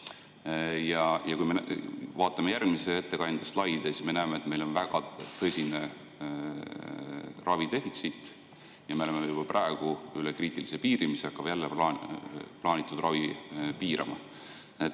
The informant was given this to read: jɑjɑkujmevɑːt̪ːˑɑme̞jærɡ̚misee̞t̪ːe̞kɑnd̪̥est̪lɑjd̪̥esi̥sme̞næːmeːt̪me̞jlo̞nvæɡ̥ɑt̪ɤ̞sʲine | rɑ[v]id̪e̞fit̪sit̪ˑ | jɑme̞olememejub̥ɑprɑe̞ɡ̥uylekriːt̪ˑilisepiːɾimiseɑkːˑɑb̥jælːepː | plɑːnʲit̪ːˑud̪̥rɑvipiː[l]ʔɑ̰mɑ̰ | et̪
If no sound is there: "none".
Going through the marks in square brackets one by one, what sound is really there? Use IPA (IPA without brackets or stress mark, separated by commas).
v, ɾ